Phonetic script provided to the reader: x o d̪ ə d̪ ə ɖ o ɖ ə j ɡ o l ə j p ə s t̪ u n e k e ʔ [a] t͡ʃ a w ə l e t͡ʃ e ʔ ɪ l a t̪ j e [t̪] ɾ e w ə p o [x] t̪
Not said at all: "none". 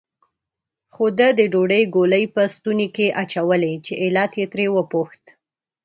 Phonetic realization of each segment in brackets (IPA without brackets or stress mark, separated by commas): a, t̪, x